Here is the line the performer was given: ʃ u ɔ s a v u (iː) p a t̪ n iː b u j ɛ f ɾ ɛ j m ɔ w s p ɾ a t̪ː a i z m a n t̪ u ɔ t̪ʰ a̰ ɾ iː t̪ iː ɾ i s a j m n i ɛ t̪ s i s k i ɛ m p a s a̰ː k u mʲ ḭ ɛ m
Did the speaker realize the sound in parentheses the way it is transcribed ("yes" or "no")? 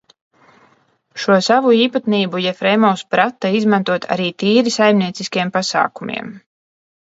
yes